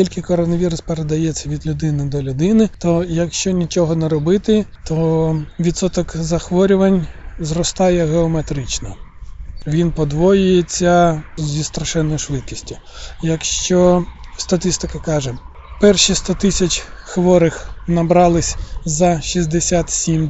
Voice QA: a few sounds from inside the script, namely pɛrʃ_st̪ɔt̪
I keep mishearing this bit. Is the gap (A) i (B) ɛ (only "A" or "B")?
A